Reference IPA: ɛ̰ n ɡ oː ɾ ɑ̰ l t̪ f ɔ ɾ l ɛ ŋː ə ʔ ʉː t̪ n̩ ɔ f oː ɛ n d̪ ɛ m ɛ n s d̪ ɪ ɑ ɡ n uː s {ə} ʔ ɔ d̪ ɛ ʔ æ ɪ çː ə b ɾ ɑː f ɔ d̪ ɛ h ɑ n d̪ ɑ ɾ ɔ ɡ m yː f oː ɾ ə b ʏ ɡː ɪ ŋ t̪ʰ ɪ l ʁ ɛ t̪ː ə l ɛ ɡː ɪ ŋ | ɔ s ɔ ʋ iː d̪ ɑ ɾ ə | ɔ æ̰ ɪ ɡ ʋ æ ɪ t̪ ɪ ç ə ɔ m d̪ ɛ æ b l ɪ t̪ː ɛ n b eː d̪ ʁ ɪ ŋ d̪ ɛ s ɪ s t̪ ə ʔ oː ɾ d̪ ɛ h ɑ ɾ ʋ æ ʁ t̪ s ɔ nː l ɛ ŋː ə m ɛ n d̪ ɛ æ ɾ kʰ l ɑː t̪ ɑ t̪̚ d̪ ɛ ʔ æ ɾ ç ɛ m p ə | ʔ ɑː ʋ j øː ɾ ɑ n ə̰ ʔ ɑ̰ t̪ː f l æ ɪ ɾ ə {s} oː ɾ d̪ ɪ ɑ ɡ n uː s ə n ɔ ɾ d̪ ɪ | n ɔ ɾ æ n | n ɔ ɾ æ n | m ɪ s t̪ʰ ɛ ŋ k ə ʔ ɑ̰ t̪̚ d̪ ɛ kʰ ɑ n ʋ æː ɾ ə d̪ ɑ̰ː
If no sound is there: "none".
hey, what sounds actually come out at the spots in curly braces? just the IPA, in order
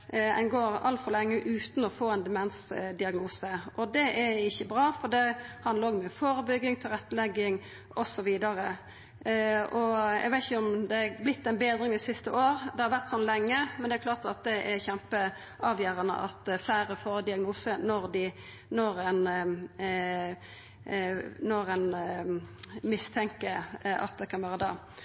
ə, f

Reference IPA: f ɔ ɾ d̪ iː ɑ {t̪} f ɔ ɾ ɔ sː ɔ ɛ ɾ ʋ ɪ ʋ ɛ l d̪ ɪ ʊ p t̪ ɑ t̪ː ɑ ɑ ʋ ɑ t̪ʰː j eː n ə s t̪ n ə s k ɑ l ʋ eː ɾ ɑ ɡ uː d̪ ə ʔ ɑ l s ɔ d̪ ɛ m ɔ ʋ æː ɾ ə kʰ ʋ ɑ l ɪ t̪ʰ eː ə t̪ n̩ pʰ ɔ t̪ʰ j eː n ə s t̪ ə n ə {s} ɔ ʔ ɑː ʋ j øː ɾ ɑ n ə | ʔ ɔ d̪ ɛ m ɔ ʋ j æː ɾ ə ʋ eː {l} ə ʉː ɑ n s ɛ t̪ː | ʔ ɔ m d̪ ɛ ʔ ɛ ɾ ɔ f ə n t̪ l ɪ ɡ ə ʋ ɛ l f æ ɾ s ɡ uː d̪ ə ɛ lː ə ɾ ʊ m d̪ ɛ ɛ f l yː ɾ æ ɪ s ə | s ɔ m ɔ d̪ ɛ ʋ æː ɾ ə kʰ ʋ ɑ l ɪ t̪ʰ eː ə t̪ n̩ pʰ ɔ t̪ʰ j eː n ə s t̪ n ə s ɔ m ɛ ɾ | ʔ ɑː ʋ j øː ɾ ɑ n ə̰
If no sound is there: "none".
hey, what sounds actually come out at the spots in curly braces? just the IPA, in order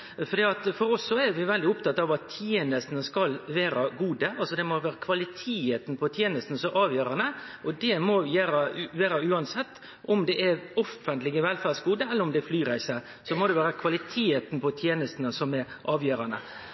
t̪, s, ɾ

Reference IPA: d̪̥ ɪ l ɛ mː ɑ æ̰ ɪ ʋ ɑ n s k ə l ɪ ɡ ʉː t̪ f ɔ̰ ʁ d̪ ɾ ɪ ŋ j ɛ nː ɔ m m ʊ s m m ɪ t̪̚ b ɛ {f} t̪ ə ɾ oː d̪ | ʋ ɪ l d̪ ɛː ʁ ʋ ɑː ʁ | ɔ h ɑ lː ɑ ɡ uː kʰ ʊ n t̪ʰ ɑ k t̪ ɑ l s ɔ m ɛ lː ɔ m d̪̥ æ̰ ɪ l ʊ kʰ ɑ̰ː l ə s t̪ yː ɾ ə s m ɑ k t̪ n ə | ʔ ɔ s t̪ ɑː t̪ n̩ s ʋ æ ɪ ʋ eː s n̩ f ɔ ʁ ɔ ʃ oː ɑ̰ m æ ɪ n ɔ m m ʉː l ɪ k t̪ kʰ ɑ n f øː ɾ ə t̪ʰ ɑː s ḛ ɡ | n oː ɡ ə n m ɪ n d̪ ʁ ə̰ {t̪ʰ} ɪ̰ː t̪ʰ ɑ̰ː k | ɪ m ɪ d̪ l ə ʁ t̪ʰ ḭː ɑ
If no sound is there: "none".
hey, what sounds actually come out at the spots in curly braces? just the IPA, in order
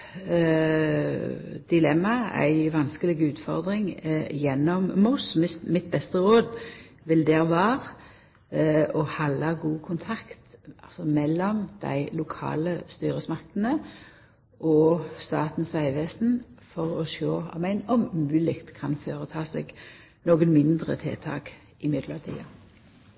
s, t̪ʰ

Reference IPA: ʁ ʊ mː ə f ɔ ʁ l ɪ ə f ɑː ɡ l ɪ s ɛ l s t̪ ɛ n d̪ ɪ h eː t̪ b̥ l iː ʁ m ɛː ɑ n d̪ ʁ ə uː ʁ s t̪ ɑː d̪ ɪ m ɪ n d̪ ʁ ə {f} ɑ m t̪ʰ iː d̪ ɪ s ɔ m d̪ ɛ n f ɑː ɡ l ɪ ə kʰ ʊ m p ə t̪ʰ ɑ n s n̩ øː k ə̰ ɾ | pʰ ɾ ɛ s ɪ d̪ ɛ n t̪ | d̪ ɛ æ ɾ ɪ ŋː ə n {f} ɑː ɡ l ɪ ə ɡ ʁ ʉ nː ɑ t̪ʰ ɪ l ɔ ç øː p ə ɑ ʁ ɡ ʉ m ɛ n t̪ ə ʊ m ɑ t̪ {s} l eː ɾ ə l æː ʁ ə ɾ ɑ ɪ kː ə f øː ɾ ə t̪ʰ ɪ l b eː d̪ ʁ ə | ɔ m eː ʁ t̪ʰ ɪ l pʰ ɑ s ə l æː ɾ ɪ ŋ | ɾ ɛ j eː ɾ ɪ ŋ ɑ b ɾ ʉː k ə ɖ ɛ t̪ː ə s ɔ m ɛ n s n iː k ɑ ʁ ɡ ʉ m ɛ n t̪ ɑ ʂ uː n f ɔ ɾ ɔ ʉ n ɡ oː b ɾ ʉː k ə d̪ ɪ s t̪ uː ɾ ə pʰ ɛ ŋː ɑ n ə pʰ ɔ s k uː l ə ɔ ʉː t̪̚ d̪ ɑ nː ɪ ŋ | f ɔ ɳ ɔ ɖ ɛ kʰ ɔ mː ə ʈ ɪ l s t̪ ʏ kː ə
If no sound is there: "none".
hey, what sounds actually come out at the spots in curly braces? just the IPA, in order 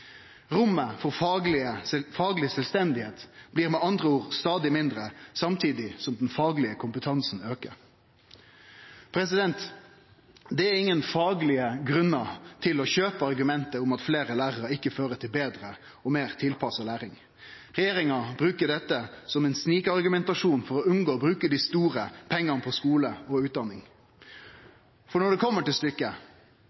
s, f, f

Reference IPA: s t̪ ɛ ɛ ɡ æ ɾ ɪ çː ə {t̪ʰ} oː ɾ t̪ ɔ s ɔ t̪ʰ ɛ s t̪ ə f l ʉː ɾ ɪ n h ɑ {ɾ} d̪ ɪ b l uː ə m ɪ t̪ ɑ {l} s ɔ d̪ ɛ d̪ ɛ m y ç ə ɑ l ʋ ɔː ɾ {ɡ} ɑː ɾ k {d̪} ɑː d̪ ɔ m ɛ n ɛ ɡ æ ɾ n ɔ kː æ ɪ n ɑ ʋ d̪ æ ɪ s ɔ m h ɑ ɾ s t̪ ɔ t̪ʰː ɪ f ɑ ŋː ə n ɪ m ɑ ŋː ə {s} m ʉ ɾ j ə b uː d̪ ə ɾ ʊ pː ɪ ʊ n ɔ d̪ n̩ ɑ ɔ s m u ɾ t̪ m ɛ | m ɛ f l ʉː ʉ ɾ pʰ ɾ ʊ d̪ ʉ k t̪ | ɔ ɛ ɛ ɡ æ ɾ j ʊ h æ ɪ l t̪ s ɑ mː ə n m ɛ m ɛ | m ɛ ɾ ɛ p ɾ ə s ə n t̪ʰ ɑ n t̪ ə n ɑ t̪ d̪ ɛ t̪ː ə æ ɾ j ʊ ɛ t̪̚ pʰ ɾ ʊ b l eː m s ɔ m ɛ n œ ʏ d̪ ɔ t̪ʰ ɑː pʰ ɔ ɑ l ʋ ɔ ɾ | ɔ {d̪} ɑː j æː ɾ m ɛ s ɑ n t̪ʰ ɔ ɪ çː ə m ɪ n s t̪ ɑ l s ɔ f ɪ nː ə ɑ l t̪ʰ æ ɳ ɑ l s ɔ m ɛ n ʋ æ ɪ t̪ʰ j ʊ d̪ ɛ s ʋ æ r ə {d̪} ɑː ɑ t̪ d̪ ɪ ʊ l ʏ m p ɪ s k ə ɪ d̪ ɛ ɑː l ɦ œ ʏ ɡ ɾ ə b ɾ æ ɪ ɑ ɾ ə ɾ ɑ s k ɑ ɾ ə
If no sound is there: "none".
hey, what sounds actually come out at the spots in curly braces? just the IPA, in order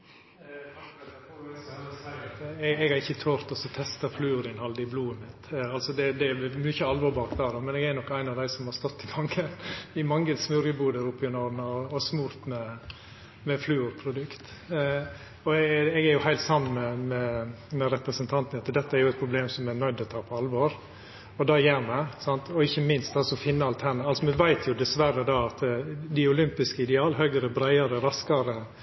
t̪ʰ, l, l, b, d̪, s, d̪, d̪

